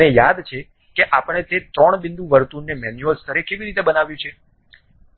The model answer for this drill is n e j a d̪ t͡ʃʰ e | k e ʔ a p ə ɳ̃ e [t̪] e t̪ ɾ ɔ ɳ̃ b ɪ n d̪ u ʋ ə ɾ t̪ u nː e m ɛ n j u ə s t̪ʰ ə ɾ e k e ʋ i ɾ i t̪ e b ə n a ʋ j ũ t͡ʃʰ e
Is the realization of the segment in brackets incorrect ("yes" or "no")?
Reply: no